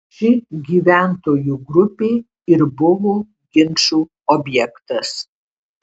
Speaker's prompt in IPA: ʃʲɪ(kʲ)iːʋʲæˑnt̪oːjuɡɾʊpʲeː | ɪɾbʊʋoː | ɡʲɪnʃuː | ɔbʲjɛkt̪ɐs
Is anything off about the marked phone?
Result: yes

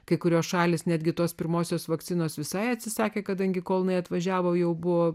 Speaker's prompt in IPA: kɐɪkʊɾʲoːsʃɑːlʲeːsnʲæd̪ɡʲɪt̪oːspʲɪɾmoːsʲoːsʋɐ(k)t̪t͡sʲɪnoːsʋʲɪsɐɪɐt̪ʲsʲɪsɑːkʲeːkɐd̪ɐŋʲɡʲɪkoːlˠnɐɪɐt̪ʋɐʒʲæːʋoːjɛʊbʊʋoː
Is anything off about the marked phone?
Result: no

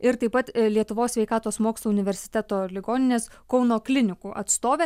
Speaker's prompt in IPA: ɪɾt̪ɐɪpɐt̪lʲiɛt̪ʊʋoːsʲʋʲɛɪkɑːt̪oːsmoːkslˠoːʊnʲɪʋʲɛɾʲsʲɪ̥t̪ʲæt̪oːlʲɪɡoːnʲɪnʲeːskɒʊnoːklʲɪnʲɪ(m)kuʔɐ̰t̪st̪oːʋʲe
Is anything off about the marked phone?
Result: yes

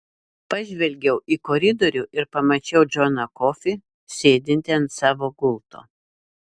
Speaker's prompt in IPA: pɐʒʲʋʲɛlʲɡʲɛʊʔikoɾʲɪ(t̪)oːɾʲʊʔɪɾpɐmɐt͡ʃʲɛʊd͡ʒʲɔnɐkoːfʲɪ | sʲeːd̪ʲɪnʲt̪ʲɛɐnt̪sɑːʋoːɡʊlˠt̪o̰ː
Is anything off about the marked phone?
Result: yes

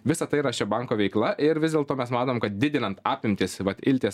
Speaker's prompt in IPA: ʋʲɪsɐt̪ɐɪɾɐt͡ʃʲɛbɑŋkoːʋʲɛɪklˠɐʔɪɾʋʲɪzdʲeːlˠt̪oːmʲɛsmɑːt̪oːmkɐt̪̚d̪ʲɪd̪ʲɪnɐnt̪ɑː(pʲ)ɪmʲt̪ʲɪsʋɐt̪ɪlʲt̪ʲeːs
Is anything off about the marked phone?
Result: no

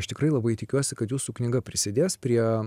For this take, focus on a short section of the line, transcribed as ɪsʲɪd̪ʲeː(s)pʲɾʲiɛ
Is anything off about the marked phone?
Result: no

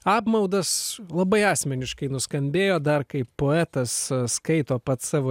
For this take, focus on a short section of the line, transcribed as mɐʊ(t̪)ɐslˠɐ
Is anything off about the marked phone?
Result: yes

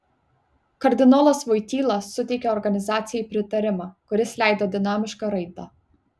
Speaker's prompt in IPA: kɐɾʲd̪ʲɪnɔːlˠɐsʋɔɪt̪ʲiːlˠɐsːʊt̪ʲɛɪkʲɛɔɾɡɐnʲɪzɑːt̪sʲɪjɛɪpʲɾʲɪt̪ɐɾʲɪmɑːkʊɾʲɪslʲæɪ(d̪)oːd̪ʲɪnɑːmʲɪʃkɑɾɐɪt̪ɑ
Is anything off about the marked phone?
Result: no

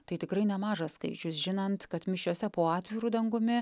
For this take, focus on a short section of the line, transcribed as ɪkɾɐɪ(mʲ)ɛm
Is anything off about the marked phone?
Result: yes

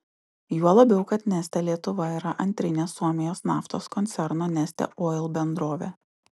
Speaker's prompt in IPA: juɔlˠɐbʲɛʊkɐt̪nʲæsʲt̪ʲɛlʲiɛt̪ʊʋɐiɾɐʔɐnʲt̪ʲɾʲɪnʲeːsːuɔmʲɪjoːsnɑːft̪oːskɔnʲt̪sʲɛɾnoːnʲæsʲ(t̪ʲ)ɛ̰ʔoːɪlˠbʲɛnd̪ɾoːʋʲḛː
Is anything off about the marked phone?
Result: no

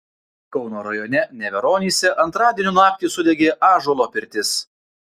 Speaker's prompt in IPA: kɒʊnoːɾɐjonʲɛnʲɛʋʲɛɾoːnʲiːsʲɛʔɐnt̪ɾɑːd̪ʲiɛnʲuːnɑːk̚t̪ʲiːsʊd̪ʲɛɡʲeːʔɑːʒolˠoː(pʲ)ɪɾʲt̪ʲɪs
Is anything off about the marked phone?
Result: no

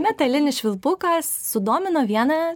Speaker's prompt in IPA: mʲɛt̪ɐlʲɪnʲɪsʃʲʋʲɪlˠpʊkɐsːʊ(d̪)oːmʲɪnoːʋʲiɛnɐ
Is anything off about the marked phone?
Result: no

